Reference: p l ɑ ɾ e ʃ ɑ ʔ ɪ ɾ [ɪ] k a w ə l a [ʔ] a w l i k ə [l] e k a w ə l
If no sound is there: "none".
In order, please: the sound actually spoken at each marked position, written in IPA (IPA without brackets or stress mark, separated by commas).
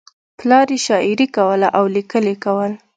i, ʔ, l